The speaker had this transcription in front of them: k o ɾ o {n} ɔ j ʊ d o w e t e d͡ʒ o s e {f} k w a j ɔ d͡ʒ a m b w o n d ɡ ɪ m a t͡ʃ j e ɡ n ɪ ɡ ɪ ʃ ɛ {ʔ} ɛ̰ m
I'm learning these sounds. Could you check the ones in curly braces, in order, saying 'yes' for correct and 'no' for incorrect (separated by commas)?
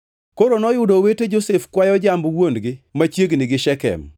yes, yes, no